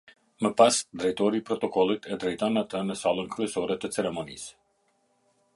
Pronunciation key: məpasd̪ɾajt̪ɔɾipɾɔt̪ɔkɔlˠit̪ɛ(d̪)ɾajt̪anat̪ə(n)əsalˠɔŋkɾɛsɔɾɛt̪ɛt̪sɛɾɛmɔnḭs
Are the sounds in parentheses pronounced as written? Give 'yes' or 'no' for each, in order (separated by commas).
yes, yes